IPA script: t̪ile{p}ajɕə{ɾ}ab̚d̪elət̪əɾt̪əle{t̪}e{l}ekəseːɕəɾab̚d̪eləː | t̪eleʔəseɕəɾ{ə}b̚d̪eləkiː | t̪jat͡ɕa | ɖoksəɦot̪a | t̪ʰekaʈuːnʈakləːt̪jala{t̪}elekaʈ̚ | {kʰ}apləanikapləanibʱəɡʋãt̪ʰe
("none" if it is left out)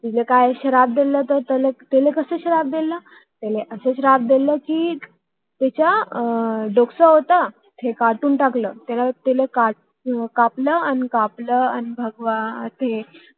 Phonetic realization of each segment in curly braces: k, ɾ, t̪, l, a, t̪, k

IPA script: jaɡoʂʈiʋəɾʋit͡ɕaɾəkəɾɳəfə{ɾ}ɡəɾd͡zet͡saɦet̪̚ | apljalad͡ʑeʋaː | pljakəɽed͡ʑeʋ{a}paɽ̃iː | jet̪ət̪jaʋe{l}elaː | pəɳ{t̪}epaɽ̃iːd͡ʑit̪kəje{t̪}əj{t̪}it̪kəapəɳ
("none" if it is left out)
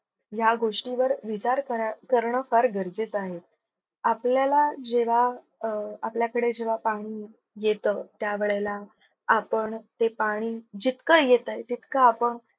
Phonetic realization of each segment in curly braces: ɾ, a, ɭ, t̪, t̪, t̪

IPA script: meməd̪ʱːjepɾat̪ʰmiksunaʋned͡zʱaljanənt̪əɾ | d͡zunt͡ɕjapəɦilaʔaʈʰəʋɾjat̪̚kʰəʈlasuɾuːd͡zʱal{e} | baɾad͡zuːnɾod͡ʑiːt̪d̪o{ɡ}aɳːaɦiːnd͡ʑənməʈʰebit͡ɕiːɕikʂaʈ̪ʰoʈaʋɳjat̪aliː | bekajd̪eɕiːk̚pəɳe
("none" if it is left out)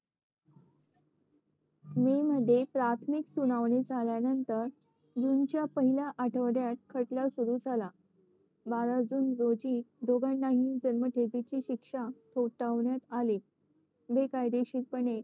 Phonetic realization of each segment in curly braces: a, ɡ

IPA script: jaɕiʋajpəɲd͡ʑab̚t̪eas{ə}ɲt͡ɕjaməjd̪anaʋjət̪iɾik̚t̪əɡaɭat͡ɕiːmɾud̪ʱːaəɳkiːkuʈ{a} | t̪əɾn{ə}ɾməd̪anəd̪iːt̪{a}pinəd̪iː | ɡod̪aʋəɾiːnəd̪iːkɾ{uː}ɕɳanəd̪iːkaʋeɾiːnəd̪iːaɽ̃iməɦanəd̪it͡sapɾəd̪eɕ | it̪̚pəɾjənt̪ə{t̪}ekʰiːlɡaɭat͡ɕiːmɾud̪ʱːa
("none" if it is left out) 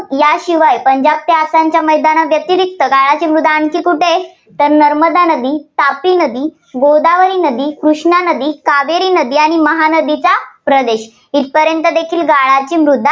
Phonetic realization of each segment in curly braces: a, e, ə, a, u, d̪

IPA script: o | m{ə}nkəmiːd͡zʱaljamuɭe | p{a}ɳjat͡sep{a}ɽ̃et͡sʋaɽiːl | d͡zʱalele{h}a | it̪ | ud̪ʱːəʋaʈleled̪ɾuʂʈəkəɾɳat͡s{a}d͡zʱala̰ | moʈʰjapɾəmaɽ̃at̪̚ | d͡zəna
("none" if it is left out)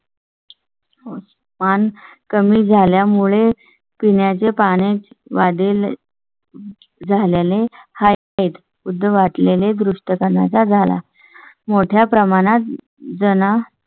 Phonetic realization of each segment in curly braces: a, i, a, h, a

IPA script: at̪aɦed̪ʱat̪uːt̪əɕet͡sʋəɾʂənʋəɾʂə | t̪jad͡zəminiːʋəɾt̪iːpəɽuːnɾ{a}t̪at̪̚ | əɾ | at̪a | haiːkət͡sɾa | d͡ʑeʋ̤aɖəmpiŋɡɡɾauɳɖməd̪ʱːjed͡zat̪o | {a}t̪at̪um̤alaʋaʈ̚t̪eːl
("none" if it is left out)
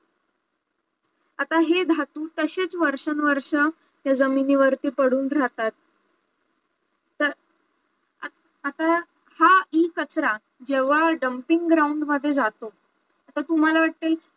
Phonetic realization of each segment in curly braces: a, a

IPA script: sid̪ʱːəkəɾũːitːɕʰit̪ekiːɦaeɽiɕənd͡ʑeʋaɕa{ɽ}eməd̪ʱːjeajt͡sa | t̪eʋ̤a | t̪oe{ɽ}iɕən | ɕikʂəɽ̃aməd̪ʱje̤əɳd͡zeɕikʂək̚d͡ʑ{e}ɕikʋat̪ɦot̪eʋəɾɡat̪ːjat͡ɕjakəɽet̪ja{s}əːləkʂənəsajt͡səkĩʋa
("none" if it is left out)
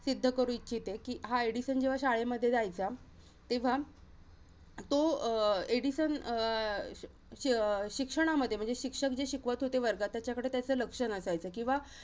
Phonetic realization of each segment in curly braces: ɭ, ɽ, e, t͡s

